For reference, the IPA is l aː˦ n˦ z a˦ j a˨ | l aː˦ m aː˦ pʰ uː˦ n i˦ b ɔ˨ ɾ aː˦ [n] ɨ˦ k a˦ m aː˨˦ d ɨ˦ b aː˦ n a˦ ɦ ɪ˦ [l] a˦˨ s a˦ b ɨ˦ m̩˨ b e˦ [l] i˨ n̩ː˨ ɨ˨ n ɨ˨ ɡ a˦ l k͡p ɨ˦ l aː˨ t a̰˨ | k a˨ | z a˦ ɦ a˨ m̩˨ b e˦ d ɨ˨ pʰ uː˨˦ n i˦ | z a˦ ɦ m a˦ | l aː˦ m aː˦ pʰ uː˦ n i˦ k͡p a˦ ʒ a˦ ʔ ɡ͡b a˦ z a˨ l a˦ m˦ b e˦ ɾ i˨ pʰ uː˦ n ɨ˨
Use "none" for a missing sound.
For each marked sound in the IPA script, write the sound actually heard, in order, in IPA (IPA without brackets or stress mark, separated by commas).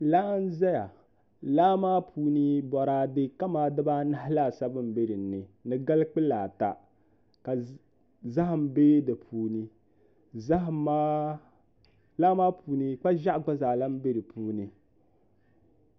d, l, ɾ